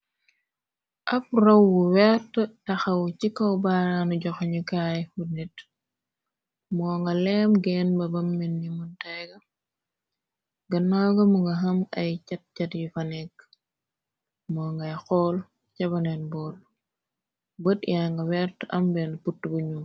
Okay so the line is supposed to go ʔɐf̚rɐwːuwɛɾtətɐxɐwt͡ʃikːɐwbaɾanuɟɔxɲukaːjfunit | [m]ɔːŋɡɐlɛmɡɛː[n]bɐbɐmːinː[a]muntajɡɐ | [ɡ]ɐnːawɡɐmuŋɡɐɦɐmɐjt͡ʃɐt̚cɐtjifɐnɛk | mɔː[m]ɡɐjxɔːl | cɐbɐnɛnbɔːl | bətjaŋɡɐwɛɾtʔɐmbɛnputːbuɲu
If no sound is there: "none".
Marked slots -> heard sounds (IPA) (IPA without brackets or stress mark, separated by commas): m, n, i, ɡ, ŋ